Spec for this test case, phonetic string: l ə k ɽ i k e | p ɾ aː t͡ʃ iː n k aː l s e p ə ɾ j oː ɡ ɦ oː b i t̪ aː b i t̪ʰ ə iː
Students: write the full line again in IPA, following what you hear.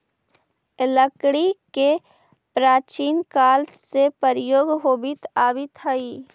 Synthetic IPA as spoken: l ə k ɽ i k e | p ɾ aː t͡ʃ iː n k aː l s e p ə ɾ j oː ɡ ɦ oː b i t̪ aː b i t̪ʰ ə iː